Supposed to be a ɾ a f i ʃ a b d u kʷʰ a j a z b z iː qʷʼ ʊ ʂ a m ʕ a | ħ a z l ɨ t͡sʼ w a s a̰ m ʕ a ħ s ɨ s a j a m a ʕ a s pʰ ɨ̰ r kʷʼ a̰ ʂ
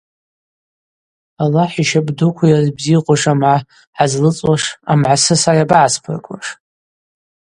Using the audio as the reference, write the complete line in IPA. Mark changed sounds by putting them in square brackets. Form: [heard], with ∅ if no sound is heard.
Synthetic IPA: a [l] a [ħ] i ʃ a b d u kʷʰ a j a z b z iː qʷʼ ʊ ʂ a m ʕ a | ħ a z l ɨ t͡sʼ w a [ʂ] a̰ m ʕ a [∅] s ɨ s a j a [b] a ʕ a s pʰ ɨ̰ r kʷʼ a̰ ʂ